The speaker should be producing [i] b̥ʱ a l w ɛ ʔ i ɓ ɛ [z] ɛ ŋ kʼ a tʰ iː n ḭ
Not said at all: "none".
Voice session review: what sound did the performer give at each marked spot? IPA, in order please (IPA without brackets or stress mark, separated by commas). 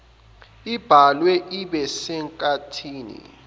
i, s